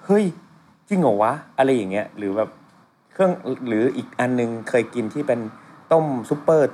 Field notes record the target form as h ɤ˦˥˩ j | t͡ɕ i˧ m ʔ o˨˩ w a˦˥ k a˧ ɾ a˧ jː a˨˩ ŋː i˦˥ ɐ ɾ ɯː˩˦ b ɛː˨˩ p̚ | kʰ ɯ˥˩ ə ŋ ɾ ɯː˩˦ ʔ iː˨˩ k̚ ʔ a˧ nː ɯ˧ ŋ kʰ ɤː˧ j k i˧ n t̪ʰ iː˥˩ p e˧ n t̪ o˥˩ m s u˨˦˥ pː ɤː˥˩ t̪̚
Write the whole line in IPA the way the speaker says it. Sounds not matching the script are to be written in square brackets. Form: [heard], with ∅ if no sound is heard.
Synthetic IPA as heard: h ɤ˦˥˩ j | t͡ɕ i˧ [ŋ] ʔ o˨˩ w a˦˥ [ʔ] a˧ ɾ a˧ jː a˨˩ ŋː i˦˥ ɐ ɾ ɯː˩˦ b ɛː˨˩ p̚ | kʰ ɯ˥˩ ə ŋ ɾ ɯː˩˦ ʔ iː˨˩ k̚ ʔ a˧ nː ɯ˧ ŋ kʰ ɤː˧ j k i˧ n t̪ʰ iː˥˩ p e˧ n t̪ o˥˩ m s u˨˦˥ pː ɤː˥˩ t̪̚